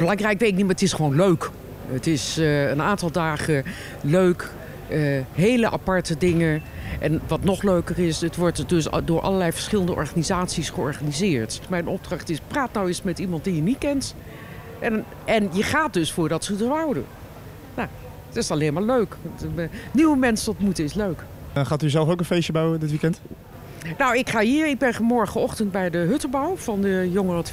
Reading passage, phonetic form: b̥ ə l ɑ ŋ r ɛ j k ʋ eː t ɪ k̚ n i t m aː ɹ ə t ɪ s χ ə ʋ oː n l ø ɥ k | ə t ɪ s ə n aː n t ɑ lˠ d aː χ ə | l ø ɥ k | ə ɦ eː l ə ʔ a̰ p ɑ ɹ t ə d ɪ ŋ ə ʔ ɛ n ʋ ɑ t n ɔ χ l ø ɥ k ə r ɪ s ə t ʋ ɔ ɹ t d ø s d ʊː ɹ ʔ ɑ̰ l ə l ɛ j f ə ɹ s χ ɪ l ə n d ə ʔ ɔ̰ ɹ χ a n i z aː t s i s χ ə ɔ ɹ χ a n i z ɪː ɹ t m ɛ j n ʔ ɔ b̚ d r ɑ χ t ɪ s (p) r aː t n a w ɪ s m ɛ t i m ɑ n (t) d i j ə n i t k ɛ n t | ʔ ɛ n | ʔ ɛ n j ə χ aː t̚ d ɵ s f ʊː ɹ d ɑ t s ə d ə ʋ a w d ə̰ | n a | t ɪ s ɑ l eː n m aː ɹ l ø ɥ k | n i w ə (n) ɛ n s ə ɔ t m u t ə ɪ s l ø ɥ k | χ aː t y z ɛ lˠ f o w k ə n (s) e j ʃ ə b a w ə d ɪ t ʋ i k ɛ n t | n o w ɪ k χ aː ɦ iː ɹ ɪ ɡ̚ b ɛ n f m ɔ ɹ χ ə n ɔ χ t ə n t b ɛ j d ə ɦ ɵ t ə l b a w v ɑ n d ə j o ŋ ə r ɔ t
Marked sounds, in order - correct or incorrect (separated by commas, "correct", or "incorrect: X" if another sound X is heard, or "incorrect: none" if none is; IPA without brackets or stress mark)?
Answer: correct, correct, incorrect: m, incorrect: f